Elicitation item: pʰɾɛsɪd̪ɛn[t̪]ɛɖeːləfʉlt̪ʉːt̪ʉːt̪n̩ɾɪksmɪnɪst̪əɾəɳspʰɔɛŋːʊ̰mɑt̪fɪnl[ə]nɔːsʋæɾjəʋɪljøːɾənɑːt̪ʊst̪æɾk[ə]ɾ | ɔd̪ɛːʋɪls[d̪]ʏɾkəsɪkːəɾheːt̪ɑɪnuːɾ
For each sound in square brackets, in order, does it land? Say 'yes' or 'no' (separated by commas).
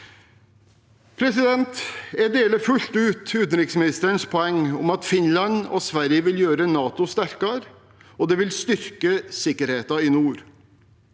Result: yes, no, no, no